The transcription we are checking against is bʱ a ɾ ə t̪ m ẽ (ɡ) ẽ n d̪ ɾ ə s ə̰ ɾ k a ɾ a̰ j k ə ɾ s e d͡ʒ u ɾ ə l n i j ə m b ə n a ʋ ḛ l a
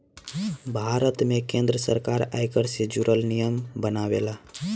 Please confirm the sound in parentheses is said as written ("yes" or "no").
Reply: no